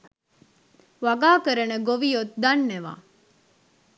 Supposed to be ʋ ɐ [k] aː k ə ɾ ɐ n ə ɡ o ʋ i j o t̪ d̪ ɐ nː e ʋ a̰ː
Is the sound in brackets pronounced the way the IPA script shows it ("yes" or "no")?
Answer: no